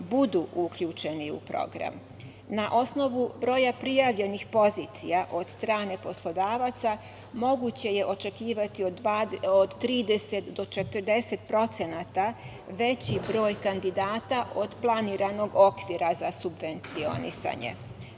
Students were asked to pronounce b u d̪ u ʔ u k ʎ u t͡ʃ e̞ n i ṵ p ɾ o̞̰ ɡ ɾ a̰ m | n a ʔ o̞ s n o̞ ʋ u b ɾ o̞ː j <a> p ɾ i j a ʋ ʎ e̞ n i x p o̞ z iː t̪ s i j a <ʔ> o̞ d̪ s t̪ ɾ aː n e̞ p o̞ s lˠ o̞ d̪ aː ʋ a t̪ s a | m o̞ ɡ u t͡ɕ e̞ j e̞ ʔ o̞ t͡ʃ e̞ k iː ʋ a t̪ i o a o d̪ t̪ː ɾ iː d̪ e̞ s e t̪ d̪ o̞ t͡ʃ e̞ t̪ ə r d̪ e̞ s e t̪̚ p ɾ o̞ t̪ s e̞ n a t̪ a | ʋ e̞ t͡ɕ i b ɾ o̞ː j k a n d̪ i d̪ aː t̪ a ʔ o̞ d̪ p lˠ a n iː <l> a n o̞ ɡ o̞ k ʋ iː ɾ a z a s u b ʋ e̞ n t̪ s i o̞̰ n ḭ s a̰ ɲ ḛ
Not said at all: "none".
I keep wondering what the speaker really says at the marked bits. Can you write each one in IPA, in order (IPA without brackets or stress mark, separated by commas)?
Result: a, ʔ, ɾ